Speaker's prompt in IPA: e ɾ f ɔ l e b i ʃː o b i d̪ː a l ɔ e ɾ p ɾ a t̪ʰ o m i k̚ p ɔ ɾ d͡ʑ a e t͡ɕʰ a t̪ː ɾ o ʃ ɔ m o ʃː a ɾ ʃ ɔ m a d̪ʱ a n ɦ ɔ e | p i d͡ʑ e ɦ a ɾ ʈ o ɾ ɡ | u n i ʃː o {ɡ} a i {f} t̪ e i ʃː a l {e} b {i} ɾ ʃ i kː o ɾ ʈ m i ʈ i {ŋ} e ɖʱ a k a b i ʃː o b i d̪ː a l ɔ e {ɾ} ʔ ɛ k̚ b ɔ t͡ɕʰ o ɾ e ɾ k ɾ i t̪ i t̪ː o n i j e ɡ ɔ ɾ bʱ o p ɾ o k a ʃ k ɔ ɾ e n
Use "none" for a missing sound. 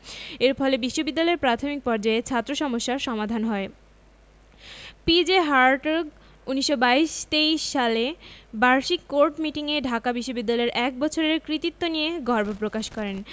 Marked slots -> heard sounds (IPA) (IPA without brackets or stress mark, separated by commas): b, ʃ, e, a, ŋ, ɾ